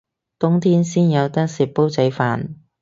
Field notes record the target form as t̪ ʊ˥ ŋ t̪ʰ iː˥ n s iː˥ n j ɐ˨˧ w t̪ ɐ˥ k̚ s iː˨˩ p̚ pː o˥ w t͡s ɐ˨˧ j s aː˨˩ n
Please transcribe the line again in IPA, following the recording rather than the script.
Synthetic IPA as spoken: t̪ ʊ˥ ŋ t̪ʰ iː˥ n s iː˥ n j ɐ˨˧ w t̪ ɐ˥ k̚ s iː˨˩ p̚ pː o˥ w t͡s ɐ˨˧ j f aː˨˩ n